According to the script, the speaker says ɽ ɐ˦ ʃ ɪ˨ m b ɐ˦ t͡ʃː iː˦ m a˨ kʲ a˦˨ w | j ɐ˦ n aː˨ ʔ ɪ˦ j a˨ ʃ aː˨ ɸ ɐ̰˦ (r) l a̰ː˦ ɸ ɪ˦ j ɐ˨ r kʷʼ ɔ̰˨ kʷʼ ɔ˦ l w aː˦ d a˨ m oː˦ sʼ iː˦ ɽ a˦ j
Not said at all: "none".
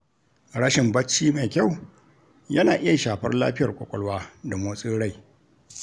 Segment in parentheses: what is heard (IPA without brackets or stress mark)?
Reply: r